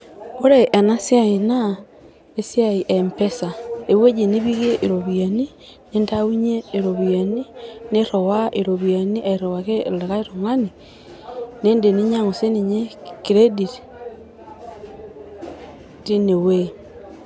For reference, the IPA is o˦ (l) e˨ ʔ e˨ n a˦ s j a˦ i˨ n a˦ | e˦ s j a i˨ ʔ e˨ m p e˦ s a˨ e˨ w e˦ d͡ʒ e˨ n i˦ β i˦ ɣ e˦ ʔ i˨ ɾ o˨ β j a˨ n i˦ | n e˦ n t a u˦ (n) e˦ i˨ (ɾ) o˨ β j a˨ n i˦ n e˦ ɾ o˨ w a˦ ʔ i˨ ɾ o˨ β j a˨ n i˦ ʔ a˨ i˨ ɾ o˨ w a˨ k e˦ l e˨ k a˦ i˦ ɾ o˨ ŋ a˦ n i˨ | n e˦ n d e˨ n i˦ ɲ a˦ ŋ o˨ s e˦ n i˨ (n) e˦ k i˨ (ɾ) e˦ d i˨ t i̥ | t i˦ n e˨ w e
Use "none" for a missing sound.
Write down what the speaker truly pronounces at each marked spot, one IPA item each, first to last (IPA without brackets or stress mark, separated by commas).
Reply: ɾ, ɲ, ɾ, ɲ, ɾ